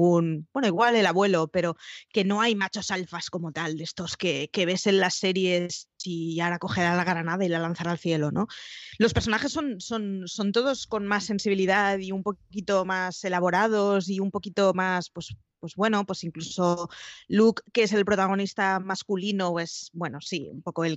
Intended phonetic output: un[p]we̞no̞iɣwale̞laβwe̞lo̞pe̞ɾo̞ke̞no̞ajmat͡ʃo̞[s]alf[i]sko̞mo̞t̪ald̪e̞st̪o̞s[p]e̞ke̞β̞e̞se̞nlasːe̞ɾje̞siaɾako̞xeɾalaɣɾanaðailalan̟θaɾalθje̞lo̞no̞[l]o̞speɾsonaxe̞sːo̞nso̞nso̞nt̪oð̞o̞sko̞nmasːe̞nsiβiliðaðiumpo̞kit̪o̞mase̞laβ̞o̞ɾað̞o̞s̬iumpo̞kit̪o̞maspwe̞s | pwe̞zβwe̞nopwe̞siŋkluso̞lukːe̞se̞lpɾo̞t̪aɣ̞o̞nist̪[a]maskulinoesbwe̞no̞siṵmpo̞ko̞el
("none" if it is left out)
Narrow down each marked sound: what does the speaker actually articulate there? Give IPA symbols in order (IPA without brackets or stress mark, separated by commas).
b, s, a, k, l, a